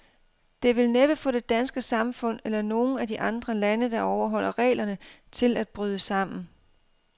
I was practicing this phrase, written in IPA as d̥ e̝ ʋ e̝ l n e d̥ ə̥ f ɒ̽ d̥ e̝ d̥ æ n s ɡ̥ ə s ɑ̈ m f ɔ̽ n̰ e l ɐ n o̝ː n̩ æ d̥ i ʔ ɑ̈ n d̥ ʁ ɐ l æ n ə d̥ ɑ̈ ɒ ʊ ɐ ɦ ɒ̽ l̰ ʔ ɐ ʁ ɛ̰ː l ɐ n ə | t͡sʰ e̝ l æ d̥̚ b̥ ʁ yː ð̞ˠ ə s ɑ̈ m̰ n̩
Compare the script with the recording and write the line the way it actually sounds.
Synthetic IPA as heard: d̥ e̝ ʋ e̝ l n e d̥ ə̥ f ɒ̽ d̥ e̝ d̥ æ n s ɡ̥ ə s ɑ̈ m f ɔ̽ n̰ e l ɐ n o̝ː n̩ æ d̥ i ʔ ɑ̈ n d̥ ʁ ɐ l æ n ə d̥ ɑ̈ ɒ ʊ ɐ ɦ ɒ̽ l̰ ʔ ɐ ʁ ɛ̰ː l ɐ n ə | t͡sʰ e̝ l æ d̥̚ b̥ ʁ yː ð̞ˠ ə s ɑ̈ m̰ n̩

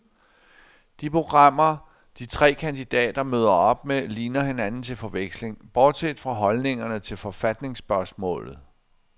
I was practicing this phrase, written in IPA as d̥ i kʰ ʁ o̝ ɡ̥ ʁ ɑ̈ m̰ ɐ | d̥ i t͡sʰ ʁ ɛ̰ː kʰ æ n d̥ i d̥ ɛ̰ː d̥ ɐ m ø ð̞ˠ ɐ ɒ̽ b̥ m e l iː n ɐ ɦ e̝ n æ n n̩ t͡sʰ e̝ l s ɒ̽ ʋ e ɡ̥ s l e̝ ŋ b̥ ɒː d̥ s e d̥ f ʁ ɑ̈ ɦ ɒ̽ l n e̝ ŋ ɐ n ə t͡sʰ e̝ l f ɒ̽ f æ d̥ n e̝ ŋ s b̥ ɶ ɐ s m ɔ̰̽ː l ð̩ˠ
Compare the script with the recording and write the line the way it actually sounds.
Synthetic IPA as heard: d̥ i pʰ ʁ o̝ ɡ̥ ʁ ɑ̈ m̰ ɐ | d̥ i t͡sʰ ʁ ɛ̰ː kʰ æ n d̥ i d̥ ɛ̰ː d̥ ɐ m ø ð̞ˠ ɐ ɒ̽ b̥ m e l iː n ɐ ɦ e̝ n æ n n̩ t͡sʰ e̝ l f ɒ̽ ʋ e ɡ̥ s l e̝ ŋ b̥ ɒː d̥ s e d̥ f ʁ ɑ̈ ɦ ɒ̽ l n e̝ ŋ ɐ n ə t͡sʰ e̝ l f ɒ̽ f æ d̥ n e̝ ŋ s b̥ ɶ ɐ s m ɔ̰̽ː l ð̩ˠ

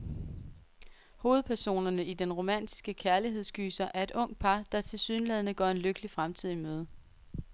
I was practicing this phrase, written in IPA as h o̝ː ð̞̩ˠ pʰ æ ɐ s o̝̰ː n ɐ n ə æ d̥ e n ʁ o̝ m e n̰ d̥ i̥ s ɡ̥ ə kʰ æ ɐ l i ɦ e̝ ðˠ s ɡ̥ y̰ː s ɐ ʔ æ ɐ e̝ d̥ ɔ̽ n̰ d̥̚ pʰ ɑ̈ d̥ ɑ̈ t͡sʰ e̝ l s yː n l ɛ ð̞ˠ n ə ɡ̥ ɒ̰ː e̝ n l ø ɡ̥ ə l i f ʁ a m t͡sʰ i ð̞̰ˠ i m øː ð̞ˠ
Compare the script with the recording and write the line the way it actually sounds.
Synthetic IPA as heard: h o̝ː ð̞̩ˠ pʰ æ ɐ s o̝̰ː n ɐ n ə i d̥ e n ʁ o̝ m æ n̰ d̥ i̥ s ɡ̥ ə kʰ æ ɐ l i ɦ e̝ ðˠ s ɡ̥ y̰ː s ɐ ʔ æ ɐ e̝ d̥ ɔ̽ ŋ̰ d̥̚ pʰ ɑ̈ d̥ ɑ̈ t͡sʰ e̝ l s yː n l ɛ ð̞ˠ n ə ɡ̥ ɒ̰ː e̝ n l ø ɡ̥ ə l i f ʁ a m t͡sʰ i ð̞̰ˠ i m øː ð̞ˠ

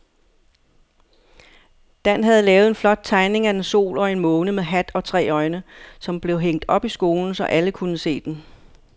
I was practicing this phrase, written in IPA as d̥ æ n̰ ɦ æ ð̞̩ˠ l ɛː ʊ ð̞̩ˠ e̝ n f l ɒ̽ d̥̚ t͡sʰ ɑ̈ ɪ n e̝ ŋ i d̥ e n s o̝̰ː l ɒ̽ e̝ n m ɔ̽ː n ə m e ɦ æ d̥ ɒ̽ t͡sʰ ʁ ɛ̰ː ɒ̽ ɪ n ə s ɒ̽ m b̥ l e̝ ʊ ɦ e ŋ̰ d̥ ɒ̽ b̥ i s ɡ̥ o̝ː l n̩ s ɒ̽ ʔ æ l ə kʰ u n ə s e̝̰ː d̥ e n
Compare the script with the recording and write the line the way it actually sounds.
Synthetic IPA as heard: d̥ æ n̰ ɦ æ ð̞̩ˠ l ɛː ʊ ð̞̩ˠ e̝ n f l ɒ̽ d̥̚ t͡sʰ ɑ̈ ɪ n e̝ ŋ æ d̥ e n s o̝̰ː l ɒ̽ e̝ n m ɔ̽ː n ə m e ɦ æ d̥ ɒ̽ t͡sʰ ʁ ɛ̰ː ɒ̽ ɪ n ə s ɒ̽ m b̥ l e̝ ʊ ɦ e ŋ̰ d̥ ɒ̽ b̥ i s ɡ̥ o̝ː l n̩ s ɒ̽ ʔ æ l ə kʰ u n ə s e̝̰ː d̥ e n

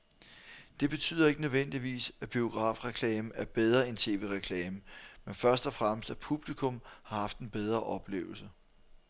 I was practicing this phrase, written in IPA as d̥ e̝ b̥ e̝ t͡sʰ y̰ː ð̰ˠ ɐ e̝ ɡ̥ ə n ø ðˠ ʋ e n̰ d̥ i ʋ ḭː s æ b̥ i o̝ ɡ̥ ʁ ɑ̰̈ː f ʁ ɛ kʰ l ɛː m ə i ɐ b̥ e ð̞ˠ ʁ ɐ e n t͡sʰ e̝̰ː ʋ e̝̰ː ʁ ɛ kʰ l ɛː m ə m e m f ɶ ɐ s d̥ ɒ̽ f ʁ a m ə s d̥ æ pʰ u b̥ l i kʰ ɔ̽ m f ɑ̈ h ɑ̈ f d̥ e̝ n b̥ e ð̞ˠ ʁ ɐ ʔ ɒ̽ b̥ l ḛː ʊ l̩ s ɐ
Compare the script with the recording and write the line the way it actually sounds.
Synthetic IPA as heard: d̥ e̝ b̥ e̝ t͡sʰ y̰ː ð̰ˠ ɐ e̝ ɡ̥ ə n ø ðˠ ʋ e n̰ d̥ i ʋ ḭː s æ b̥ i o̝ ɡ̥ ʁ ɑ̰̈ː f ʁ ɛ kʰ l ɛː m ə æ ɐ b̥ e ð̞ˠ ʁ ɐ e n t͡sʰ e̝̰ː ʋ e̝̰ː ʁ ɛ kʰ l ɛː m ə m e n f ɶ ɐ s d̥ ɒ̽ f ʁ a m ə s d̥ æ pʰ u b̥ l i kʰ ɔ̽ m h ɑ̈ h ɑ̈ f d̥ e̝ n b̥ e ð̞ˠ ʁ ɐ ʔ ɒ̽ b̥ l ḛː ʊ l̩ s ə

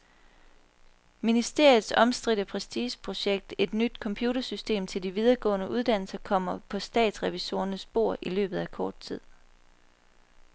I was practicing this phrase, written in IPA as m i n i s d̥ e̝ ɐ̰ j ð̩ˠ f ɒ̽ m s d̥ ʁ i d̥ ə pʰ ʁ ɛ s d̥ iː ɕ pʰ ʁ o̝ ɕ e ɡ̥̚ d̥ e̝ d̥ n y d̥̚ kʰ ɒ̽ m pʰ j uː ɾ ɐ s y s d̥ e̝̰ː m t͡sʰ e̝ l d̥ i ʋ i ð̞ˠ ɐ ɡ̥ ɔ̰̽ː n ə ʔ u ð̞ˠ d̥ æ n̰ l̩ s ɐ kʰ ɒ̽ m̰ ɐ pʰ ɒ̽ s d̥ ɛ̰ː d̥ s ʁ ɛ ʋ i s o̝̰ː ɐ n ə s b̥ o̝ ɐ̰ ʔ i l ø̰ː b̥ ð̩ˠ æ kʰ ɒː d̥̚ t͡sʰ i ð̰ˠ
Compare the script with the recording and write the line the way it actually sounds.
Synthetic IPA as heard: m i n i s d̥ e̝ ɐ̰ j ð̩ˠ s ɒ̽ m s d̥ ʁ i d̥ ə pʰ ʁ ɛ s d̥ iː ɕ pʰ ʁ o̝ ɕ e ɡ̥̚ d̥ e̝ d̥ n y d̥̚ kʰ ɒ̽ m pʰ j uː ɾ ɐ s y s d̥ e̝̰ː m t͡sʰ e̝ l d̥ i ʋ i ð̞ˠ ɐ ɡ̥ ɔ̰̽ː n ə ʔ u ð̞ˠ d̥ æ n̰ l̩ s ɐ kʰ ɒ̽ m̰ ɐ pʰ ɒ̽ s d̥ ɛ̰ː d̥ s ʁ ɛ ʋ i s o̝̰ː ɐ n ə s b̥ o̝ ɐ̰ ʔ i l ø̰ː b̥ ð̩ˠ æ kʰ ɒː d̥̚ t͡sʰ i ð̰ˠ

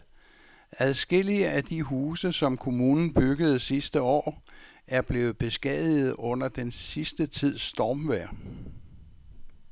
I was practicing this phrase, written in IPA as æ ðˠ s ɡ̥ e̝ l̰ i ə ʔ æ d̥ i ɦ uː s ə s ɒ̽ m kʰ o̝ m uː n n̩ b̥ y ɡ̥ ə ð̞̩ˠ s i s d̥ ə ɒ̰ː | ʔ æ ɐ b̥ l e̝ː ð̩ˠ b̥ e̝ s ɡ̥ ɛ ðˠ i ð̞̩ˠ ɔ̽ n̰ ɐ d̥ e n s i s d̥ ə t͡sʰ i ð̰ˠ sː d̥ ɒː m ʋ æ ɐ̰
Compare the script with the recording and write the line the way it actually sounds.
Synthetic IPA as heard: æ ðˠ s ɡ̥ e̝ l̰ i ə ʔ æ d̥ i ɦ uː s ə s ɒ̽ m kʰ o̝ m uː n n̩ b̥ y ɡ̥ ə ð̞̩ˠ s i s d̥ ə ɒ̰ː | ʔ æ ɐ b̥ l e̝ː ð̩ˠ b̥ e̝ s ɡ̥ ɛ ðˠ i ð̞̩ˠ ɔ̽ n̰ ɐ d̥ e n s i s d̥ ə t͡sʰ i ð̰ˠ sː d̥ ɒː m ʋ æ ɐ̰

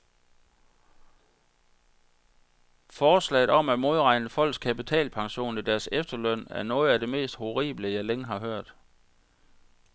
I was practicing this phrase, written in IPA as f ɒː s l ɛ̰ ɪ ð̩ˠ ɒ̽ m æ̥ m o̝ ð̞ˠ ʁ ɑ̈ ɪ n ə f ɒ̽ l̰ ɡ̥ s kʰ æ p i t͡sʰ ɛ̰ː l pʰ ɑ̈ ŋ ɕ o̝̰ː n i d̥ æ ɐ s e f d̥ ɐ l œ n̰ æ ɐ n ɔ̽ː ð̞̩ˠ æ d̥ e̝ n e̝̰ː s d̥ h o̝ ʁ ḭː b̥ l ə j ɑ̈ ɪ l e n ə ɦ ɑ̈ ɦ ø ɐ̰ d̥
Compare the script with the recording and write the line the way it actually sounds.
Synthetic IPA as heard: f ɒː s l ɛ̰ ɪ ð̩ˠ ɒ̽ m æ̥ m o̝ ð̞ˠ ʁ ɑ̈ ɪ n ə f ɒ̽ l̰ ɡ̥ s kʰ æ p i t͡sʰ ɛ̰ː l pʰ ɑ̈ ŋ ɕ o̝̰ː n i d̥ æ ɐ s e f d̥ ɐ l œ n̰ æ ɐ n ɔ̽ː ð̞̩ˠ æ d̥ e̝ m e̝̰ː s d̥ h o̝ ʁ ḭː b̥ l ə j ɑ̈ ɪ l e ŋ ə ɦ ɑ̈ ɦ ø ɐ̰ d̥

